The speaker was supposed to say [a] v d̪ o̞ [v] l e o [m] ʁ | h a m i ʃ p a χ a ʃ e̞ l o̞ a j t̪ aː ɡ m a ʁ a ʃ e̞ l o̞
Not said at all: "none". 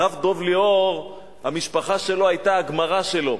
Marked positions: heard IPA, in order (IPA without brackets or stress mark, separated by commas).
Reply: a, v, none